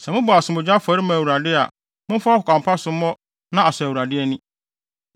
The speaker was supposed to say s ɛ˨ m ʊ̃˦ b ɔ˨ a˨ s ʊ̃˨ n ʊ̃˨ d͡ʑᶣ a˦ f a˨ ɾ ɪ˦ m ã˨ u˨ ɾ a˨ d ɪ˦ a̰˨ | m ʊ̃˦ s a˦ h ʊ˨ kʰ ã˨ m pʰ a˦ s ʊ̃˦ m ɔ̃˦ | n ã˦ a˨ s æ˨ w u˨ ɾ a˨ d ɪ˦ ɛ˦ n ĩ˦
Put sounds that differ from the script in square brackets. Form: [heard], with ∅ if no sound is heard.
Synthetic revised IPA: s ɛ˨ m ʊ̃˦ b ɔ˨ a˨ s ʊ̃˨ [m] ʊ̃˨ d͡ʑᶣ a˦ f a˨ ɾ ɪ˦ m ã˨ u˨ ɾ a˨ d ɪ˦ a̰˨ | m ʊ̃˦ [f] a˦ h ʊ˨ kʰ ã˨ m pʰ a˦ s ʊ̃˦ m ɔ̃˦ | n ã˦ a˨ s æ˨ w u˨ ɾ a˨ d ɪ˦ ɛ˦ n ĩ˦